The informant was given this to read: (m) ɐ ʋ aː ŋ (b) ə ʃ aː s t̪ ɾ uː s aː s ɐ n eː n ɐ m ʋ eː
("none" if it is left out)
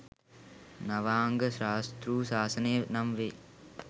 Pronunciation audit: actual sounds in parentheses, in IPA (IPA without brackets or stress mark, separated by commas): n, ɡ